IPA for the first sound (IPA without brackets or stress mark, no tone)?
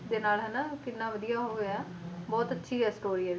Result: d̪